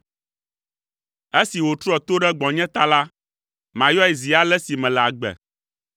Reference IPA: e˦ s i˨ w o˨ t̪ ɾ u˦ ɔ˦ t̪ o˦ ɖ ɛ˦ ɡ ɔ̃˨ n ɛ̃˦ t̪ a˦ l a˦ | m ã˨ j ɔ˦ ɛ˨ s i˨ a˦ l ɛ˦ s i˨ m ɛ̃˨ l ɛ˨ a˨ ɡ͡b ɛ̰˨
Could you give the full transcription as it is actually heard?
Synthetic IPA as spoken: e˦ s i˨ w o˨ t̪ ɾ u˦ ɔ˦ t̪ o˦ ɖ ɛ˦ ɡ͡b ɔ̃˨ ɲ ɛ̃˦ t̪ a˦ l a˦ | m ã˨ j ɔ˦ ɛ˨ z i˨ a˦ l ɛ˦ s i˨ m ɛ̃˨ l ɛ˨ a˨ ɡ͡b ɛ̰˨